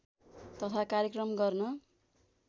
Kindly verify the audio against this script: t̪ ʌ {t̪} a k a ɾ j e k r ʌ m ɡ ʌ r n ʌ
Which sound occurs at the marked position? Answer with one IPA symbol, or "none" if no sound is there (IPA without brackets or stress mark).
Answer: t̪ʰ